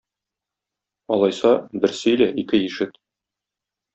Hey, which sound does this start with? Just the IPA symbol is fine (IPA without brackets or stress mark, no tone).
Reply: ɒ